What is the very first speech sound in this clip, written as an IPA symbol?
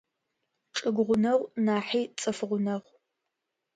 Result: ʈ͡ʂʼ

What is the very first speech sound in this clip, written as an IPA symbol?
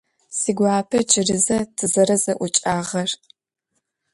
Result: s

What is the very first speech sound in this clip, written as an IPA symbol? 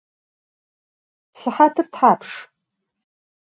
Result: s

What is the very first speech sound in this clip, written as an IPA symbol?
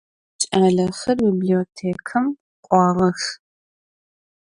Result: t͡ʃʼ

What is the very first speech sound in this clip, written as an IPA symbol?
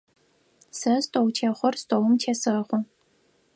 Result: s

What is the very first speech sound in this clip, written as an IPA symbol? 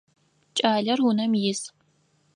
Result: t͡ʃʼ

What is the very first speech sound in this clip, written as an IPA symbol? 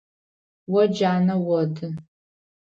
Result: w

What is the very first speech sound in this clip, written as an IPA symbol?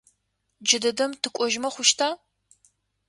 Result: d͡ʒ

